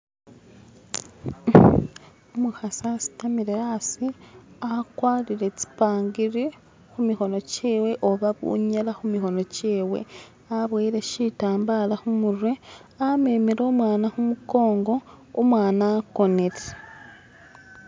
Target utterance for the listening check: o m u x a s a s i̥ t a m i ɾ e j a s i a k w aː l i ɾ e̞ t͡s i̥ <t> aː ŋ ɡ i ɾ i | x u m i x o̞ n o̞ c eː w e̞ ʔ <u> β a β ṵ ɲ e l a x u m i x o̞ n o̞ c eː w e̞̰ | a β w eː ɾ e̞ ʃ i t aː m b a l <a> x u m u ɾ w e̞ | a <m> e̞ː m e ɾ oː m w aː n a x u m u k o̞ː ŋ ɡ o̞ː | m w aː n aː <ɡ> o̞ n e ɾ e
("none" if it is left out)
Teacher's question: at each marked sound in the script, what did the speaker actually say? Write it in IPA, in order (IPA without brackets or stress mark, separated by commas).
p, o, a, m, k